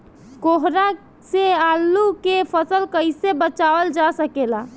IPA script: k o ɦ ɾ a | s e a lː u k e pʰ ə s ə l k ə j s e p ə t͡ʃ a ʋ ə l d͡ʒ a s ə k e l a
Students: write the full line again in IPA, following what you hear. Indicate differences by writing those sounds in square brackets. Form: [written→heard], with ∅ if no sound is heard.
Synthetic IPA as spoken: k o ɦ ɾ a | s e a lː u k e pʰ ə s ə l k ə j s e [p→b] ə t͡ʃ a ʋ ə l d͡ʒ a s ə k e l a